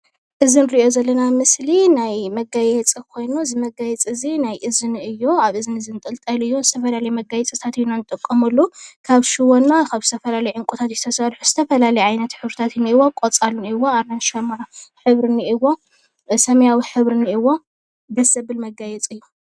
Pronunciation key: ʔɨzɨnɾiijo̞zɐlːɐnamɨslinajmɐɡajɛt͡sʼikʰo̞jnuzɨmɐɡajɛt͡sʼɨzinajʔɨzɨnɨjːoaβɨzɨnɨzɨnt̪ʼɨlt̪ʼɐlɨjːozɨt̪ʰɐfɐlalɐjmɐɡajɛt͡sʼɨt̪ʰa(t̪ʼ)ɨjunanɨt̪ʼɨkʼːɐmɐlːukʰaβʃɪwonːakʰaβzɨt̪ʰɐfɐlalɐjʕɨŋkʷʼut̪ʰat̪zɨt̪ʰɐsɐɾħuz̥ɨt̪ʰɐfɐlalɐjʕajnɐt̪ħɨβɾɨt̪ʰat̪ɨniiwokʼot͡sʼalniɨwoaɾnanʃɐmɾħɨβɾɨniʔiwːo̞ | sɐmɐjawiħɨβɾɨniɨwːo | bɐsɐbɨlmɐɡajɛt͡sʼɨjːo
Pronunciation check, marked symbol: incorrect: t̪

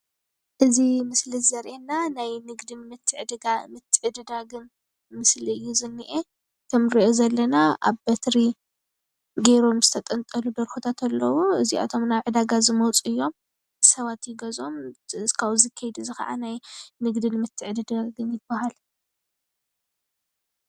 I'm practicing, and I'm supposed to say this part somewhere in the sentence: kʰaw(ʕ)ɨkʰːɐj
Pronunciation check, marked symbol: incorrect: z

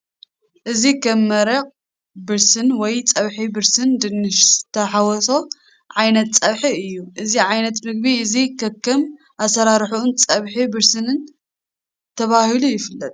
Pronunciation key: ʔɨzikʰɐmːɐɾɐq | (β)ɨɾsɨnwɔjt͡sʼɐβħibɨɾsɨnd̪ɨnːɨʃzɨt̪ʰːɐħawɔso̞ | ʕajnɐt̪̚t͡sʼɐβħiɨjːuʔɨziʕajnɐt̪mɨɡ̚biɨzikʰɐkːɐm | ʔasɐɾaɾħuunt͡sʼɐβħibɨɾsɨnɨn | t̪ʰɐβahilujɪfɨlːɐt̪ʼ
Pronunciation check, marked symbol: incorrect: b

